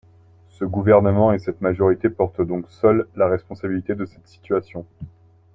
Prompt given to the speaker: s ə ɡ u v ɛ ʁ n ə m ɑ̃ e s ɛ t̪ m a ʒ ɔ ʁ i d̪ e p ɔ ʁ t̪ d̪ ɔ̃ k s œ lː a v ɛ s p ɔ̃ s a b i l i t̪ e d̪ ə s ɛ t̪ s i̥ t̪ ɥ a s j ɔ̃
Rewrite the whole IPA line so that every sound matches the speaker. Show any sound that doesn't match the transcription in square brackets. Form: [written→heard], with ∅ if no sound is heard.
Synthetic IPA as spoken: s ə ɡ u v ɛ ʁ n ə m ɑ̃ e s ɛ t̪ m a ʒ ɔ ʁ i [d̪→t̪] e p ɔ ʁ t̪ d̪ ɔ̃ k s œ lː a [v→ʁ] ɛ s p ɔ̃ s a b i l i t̪ e d̪ ə s ɛ t̪ s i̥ t̪ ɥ a s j ɔ̃